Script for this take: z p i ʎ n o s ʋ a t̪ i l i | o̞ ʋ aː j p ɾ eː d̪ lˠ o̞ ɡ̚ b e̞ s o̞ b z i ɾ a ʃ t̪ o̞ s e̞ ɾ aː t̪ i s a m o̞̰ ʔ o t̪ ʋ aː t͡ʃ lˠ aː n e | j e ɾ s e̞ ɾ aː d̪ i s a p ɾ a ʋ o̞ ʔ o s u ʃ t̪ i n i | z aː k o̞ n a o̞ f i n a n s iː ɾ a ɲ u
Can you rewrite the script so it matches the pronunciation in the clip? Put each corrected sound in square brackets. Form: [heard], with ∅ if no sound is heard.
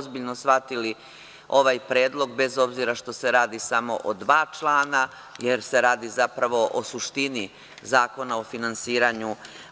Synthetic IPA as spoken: z [b] i ʎ n o s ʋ a t̪ i l i | o̞ ʋ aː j p ɾ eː d̪ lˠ o̞ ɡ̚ b e̞ [z] o̞ b z i ɾ a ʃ t̪ o̞ s e̞ ɾ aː [d̪] i s a m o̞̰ ʔ o [d̪] ʋ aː t͡ʃ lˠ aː n [a] | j e ɾ s e̞ ɾ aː d̪ i [z] a p ɾ a ʋ o̞ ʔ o s u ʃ t̪ i n i | z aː k o̞ n a o̞ f i n a n s iː ɾ a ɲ u